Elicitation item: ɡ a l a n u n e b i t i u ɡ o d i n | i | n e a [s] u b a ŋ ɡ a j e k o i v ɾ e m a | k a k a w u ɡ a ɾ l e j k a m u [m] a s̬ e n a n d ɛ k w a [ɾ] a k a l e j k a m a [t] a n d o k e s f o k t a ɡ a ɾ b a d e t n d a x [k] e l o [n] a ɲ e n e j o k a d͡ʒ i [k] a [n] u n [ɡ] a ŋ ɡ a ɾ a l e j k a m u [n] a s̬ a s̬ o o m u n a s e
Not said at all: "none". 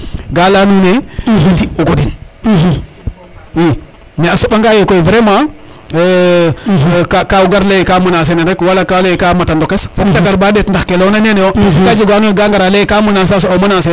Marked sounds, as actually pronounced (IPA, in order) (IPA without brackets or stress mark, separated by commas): s, n, l, t, k, n, ɡ, n, ɡ, n